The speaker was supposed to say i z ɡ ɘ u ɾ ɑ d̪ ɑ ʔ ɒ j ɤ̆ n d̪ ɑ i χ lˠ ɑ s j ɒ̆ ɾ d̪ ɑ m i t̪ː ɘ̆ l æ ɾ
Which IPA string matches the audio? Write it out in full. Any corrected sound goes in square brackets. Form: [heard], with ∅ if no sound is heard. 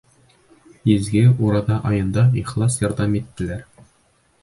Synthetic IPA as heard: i z ɡ ɘ u ɾ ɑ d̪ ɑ ʔ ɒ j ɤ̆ n d̪ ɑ i χ lˠ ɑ s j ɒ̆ ɾ d̪ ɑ m i t̪ː ɘ̆ l æ ɾ

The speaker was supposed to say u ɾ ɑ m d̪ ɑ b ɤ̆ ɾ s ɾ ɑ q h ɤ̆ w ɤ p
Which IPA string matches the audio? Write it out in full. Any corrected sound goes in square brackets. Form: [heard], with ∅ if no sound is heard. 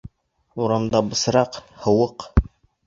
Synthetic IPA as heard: u ɾ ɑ m d̪ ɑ b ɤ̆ [∅] s ɾ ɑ q h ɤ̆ w ɤ [q]

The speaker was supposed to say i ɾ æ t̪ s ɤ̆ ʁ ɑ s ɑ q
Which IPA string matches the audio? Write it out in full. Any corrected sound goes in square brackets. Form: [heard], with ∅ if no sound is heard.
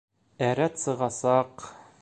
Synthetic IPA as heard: [æ] ɾ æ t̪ s ɤ̆ ʁ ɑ s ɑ q

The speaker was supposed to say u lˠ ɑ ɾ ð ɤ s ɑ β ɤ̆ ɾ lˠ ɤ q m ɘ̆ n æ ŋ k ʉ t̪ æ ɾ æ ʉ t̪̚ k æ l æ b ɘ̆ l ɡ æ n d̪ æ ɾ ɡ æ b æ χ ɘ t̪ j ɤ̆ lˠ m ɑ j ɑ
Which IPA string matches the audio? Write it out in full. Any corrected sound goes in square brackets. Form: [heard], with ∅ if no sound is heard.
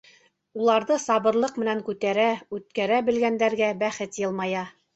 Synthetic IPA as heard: u lˠ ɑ ɾ ð ɤ s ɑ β ɤ̆ ɾ lˠ ɤ q m ɘ̆ n æ ŋ k ʉ t̪ æ ɾ æ ʉ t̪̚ k æ [ɾ] æ b ɘ̆ l ɡ æ n d̪ æ ɾ ɡ æ b æ χ ɘ t̪ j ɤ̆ lˠ m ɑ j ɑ

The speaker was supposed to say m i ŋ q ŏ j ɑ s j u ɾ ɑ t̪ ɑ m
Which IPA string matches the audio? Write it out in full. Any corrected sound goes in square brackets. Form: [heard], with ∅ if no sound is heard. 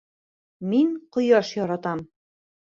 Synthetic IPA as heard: m i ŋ q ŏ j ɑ [ʃ] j [ɒ] ɾ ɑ t̪ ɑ m

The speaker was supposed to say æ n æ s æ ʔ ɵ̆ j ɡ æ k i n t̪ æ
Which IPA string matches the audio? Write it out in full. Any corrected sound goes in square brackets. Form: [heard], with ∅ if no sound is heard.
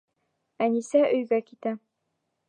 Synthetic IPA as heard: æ n [i] s æ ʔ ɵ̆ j ɡ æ k i [∅] t̪ æ

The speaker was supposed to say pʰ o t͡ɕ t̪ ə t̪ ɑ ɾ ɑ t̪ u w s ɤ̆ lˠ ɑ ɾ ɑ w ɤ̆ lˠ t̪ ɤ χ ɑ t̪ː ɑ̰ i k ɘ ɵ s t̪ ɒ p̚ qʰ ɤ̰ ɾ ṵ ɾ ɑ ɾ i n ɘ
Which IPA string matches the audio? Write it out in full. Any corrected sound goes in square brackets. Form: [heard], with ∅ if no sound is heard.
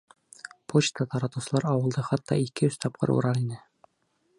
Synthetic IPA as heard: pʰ o t͡ɕ t̪ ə t̪ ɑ ɾ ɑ t̪ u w s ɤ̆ lˠ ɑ ɾ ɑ w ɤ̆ lˠ [d̪] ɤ χ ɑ t̪ː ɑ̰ i k ɘ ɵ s t̪ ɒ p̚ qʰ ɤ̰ ɾ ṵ ɾ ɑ ɾ i n ɘ

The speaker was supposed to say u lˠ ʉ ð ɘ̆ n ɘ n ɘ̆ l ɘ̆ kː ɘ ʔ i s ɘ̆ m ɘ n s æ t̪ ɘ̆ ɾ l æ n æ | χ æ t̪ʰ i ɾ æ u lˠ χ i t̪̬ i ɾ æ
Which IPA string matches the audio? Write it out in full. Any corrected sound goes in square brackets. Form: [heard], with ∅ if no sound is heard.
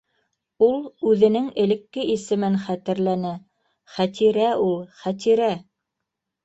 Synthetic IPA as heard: u lˠ ʉ ð ɘ̆ n ɘ [ŋ] ɘ̆ l ɘ̆ kː ɘ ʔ i s ɘ̆ m ɘ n [χ] æ t̪ ɘ̆ ɾ l æ n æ | χ æ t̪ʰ i ɾ æ u lˠ χ [æ] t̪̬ i ɾ æ

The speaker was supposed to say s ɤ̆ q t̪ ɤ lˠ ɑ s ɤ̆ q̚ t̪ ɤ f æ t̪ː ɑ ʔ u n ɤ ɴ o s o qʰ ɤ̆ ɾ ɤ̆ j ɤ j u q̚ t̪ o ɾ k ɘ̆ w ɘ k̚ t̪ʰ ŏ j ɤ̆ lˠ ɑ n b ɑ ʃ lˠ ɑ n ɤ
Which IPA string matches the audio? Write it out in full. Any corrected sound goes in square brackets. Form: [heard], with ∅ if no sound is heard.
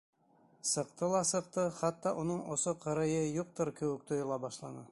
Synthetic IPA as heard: s ɤ̆ q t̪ ɤ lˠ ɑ s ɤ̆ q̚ t̪ ɤ [χ] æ t̪ː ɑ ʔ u n ɤ ɴ o s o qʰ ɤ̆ ɾ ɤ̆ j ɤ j u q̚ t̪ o ɾ k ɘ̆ w ɘ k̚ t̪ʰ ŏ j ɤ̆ lˠ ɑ [∅] b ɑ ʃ lˠ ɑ n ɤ

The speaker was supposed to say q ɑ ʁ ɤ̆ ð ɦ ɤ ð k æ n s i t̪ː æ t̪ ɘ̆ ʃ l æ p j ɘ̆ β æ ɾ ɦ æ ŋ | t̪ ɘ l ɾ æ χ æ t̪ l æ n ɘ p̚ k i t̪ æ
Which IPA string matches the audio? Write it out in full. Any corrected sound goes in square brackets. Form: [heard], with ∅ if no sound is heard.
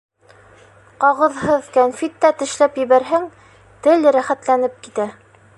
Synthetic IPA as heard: q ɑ ʁ ɤ̆ ð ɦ ɤ ð k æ n [f] i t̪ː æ t̪ ɘ̆ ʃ l æ p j ɘ̆ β æ ɾ ɦ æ ŋ | t̪ ɘ l ɾ æ χ æ t̪ l æ n ɘ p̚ k i t̪ æ

